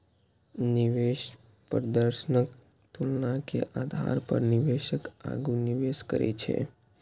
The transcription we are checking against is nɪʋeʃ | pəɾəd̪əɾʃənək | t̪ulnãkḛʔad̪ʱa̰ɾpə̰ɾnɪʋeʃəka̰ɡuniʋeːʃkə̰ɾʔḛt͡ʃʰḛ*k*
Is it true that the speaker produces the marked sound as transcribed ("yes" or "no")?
no